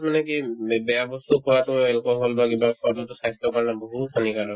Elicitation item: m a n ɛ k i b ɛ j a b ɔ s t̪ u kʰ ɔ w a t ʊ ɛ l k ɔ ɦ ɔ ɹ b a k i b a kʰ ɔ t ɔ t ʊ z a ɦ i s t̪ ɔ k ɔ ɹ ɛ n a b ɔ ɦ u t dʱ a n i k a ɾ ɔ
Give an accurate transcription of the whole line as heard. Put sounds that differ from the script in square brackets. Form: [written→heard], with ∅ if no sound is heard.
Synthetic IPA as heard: m a n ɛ k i b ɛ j a b ɔ s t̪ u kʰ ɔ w a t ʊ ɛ l k ɔ ɦ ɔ [ɹ→l] b a k i b a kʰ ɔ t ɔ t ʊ [z→s] a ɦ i s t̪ ɔ k ɔ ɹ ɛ n a b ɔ ɦ u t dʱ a n i k a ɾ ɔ